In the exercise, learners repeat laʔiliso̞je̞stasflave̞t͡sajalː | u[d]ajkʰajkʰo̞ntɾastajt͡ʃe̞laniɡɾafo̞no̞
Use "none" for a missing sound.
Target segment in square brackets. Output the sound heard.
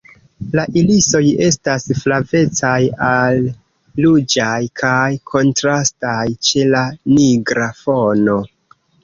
d͡ʒ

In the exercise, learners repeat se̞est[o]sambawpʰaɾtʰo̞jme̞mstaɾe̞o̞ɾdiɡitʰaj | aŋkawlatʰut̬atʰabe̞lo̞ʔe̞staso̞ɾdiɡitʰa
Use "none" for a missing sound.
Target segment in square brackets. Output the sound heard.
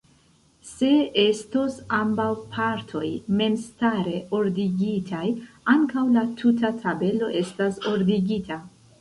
o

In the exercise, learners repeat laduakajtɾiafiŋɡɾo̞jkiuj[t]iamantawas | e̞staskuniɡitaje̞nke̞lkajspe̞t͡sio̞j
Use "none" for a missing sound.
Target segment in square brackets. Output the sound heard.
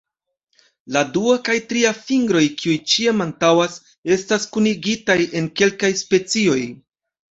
t͡ʃ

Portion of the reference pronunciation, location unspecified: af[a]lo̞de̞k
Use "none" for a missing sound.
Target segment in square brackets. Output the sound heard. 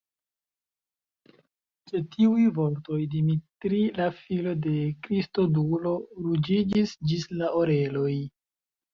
i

